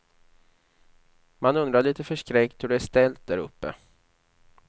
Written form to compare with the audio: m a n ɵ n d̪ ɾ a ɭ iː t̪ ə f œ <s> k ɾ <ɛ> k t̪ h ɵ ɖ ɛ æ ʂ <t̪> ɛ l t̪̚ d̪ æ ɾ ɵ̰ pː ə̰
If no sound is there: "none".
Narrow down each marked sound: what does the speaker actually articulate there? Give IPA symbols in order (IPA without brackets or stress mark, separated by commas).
ʂ, ɛ, t̪